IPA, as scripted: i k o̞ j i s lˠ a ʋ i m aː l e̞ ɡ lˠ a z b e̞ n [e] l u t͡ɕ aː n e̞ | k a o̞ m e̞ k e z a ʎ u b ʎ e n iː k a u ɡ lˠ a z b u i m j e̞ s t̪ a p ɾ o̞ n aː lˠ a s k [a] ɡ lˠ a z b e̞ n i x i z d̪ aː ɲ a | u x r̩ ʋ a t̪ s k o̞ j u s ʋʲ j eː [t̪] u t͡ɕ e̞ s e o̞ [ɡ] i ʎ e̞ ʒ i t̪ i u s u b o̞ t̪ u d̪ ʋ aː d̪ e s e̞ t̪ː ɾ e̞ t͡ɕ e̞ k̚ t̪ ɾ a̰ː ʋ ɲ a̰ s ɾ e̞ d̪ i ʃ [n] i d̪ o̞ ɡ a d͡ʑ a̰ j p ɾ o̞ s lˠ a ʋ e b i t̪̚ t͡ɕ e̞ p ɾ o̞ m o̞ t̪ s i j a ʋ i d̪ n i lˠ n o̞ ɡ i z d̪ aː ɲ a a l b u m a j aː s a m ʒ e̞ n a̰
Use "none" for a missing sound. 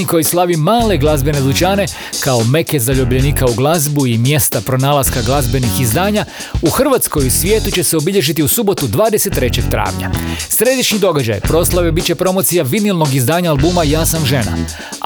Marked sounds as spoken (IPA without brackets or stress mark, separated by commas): e, a, t̪, b, ɲ